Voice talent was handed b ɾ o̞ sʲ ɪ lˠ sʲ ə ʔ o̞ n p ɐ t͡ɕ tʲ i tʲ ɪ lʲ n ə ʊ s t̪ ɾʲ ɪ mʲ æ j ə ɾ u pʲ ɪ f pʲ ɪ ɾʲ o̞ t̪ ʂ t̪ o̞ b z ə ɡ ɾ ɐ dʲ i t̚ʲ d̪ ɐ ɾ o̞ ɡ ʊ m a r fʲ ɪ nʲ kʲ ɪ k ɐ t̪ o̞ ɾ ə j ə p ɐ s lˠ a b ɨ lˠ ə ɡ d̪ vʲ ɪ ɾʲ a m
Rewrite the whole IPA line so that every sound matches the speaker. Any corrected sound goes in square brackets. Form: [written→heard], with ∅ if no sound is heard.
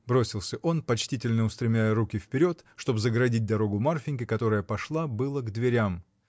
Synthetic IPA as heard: b ɾ o̞ sʲ ɪ lˠ sʲ ə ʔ o̞ n p ɐ t͡ɕ tʲ i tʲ ɪ lʲ n ə ʊ s t̪ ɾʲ ɪ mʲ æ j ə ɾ u [pʲ→kʲ] ɪ f pʲ ɪ ɾʲ o̞ t̪ ʂ t̪ o̞ b z ə ɡ ɾ ɐ dʲ i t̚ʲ d̪ ɐ ɾ o̞ ɡ ʊ m a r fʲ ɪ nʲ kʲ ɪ k ɐ t̪ o̞ ɾ ə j ə p ɐ [s→ʂ] lˠ a b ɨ lˠ ə ɡ d̪ vʲ ɪ ɾʲ a m